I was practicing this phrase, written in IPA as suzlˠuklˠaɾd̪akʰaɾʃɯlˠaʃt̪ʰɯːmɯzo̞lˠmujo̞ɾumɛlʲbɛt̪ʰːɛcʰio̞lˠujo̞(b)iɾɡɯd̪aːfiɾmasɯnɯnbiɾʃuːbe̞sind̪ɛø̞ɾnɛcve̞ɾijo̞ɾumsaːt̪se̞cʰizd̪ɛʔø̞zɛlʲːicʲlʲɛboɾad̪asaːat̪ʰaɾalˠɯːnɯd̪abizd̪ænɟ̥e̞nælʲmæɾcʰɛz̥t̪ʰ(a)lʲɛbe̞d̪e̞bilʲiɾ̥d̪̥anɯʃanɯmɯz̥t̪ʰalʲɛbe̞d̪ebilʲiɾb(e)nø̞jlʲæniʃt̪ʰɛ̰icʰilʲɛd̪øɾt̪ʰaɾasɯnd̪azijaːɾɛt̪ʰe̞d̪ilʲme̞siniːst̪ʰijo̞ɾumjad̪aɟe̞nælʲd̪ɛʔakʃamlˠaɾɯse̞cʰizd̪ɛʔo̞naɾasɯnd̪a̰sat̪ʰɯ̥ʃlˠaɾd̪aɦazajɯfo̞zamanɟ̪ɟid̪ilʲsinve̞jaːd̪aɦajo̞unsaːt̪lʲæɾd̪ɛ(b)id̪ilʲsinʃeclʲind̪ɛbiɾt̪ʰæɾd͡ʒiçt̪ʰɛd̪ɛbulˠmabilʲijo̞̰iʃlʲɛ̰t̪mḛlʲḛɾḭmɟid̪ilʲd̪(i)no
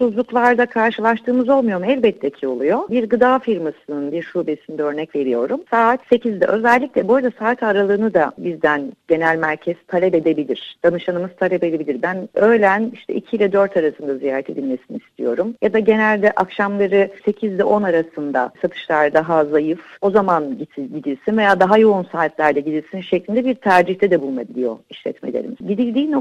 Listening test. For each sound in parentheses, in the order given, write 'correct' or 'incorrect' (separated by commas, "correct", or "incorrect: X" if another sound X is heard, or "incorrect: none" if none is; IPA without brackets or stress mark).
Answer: correct, correct, incorrect: æ, incorrect: ɟ, incorrect: iː